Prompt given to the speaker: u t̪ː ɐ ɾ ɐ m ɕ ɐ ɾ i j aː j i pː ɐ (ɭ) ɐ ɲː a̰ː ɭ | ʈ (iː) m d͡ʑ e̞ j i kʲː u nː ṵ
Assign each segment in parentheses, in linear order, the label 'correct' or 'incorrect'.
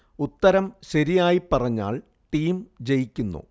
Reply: incorrect, correct

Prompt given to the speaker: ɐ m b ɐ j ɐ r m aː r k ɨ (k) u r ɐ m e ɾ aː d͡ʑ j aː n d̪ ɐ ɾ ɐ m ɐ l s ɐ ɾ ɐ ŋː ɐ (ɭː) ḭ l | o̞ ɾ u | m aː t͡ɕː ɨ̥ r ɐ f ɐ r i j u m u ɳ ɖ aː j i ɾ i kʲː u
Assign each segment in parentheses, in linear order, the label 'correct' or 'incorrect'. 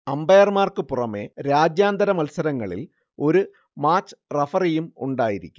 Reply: incorrect, incorrect

